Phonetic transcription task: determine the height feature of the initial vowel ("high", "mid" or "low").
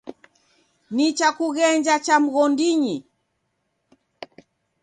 high